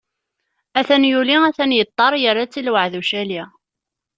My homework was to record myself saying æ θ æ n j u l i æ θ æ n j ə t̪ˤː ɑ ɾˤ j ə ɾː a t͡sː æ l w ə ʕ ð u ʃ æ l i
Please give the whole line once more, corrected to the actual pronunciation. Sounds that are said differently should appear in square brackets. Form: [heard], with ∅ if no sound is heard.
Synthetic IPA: æ θ æ n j u l i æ θ æ n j ə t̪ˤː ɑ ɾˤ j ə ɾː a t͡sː [i] l w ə ʕ ð u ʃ æ l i

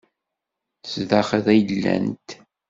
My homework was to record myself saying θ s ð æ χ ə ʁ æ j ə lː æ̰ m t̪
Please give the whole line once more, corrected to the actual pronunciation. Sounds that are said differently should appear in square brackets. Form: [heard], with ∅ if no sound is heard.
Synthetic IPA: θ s ð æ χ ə [ð] æ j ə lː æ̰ [n] t̪

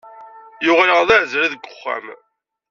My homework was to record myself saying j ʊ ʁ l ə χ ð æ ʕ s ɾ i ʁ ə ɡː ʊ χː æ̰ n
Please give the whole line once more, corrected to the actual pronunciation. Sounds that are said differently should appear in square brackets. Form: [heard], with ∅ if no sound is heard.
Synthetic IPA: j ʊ ʁ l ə [ʁ] ð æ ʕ [z] ɾ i [ð] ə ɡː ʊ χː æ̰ [m]

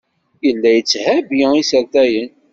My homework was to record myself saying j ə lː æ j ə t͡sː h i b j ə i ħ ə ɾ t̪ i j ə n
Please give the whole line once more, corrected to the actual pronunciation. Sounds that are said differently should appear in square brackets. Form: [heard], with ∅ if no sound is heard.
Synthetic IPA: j ə lː æ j ə t͡sː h [æ] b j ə i [s] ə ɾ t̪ [æ] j ə n

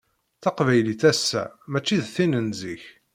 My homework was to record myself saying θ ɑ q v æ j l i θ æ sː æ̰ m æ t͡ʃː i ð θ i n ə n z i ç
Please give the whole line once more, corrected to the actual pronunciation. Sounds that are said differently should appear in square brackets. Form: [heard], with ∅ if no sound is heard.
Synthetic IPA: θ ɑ q v æ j l i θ æ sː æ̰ m æ t͡ʃː i ð θ i n ə n z i ç

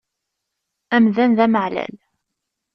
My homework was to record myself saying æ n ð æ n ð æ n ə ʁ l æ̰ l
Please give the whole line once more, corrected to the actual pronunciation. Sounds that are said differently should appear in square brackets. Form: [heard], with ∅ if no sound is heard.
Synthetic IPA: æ [m] ð æ n ð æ [m] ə [ʕ] l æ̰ l

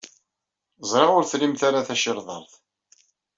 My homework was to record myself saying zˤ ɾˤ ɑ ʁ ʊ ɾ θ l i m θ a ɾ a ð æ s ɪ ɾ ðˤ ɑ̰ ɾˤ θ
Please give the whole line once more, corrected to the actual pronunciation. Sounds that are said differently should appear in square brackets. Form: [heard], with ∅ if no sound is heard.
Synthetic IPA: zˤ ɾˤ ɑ ʁ ʊ ɾ θ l i m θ a ɾ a [θ] æ [ʃ] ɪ ɾ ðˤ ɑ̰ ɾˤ θ

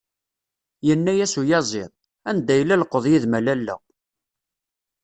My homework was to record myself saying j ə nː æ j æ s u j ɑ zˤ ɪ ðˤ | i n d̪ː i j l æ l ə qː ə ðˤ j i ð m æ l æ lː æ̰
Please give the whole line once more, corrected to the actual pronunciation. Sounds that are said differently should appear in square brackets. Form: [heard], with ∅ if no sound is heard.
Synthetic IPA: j ə nː æ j æ s u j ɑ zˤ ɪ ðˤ | [æ] n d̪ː [æ] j l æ l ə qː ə ðˤ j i ð m æ l æ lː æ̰

